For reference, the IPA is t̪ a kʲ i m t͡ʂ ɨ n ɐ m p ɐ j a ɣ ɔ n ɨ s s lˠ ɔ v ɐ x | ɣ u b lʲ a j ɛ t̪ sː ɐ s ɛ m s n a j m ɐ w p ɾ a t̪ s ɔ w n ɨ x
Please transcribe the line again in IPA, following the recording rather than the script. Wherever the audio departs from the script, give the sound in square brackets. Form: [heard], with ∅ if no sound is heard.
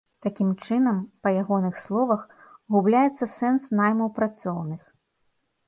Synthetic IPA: t̪ a kʲ i m t͡ʂ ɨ n ɐ m p ɐ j a ɣ ɔ n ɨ [x] s lˠ ɔ v ɐ x | ɣ u b lʲ a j ɛ t̪ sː ɐ s ɛ [n] s n a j m ɐ w p ɾ a t̪ s ɔ w n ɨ x